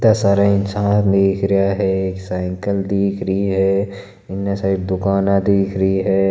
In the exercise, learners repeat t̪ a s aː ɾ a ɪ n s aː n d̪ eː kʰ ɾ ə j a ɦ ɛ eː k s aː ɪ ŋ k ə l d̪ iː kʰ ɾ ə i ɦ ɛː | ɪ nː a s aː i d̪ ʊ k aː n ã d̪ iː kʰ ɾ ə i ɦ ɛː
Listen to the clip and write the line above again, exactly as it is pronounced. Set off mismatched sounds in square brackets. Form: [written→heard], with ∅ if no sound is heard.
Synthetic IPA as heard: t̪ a s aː ɾ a ɪ n s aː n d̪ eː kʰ ɾ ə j a ɦ ɛ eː k s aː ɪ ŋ k ə l d̪ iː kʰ ɾ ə i ɦ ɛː | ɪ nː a s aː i d̪ ʊ k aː n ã d̪ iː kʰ ɾ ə i ɦ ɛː